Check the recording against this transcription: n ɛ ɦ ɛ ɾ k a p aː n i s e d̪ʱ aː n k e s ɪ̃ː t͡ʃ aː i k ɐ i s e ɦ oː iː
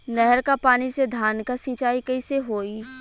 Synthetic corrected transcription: n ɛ ɦ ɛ ɾ k a p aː n i s e d̪ʱ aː n k a s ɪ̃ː t͡ʃ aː i k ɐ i s e ɦ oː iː